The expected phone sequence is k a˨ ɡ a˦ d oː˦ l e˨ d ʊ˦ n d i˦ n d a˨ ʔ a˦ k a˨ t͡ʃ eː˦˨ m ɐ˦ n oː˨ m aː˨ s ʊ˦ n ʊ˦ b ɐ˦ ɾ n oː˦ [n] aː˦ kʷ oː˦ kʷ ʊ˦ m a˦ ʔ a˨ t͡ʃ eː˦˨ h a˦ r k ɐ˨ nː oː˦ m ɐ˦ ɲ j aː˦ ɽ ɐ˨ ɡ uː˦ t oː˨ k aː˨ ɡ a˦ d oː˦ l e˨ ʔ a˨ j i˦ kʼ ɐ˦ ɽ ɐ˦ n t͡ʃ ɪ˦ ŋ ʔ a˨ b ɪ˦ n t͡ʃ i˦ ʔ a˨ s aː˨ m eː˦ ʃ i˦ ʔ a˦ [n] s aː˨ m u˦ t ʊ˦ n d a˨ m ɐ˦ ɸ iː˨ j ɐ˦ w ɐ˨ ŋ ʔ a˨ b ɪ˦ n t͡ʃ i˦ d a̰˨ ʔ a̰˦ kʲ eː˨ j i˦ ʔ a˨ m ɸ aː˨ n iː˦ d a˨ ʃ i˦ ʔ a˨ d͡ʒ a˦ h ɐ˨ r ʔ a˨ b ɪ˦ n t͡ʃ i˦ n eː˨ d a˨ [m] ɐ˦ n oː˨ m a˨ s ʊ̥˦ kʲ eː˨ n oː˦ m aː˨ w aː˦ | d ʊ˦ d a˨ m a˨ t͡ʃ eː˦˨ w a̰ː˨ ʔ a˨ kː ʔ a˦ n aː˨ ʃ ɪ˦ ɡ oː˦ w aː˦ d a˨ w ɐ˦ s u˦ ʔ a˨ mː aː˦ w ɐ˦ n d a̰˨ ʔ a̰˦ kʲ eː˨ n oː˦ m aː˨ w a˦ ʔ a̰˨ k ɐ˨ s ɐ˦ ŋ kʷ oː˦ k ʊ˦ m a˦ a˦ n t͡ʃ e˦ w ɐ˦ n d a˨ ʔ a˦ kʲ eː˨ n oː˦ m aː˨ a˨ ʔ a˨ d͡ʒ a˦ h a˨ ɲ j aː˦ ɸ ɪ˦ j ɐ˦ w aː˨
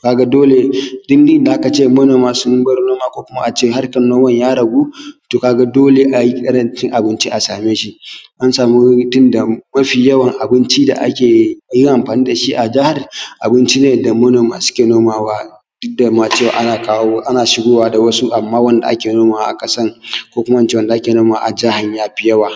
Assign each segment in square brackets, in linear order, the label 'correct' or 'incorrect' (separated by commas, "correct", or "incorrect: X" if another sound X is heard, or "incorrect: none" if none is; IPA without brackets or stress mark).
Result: incorrect: m, correct, correct